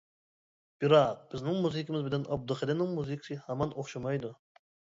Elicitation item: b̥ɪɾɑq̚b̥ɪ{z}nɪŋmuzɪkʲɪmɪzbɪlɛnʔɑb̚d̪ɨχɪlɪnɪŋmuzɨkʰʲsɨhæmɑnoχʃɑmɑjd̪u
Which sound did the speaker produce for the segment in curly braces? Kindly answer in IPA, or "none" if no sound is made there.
z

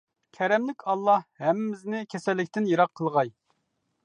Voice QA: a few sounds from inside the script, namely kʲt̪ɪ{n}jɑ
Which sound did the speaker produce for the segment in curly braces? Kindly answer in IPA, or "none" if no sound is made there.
n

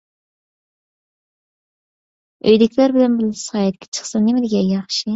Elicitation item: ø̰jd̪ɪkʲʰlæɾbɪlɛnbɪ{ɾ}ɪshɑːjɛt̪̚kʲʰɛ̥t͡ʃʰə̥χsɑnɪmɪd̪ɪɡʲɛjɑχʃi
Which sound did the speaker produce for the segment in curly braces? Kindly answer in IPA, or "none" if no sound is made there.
l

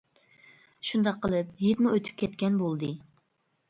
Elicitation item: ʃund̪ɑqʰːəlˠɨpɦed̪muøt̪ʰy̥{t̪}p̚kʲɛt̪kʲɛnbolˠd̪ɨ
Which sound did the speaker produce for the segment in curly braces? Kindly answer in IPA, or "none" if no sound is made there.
none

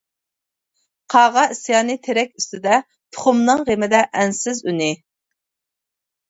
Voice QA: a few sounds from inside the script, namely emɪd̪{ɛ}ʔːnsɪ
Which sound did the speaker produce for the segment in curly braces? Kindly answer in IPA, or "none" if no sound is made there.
ɛ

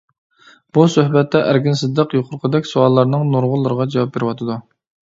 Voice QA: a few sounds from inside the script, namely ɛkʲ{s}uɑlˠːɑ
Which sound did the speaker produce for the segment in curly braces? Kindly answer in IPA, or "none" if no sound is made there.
s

